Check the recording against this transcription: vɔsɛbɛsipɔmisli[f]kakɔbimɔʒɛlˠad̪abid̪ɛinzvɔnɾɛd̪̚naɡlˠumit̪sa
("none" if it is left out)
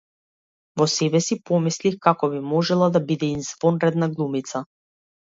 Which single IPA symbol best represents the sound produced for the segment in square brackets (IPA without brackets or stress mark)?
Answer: x